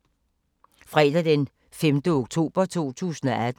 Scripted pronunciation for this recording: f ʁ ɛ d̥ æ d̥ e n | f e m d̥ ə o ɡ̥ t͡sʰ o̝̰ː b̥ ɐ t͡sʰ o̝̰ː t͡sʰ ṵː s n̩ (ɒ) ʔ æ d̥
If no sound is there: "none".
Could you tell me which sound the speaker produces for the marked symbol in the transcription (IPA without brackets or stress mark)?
ɒ